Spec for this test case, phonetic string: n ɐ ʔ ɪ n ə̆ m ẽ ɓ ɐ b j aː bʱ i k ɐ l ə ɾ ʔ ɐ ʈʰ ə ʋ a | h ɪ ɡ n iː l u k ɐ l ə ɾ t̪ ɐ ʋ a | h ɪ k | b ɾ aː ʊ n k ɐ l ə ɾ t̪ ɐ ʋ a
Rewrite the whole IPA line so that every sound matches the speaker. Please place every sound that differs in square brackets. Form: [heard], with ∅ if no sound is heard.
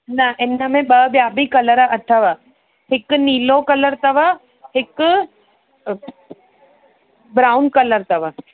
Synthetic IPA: n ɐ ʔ ɪ n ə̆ m ẽ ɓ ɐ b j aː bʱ i k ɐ l ə ɾ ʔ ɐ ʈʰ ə ʋ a | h ɪ [k] n iː l [o] k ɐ l ə ɾ t̪ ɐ ʋ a | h ɪ k | b ɾ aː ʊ n k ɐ l ə ɾ t̪ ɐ ʋ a